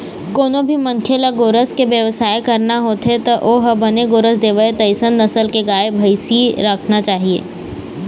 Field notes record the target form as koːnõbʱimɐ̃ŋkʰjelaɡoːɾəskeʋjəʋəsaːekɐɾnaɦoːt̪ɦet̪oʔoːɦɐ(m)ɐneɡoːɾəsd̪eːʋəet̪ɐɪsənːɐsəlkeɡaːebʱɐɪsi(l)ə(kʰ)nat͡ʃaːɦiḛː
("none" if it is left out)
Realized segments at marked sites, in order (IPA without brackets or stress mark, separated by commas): b, ɾ, kʰ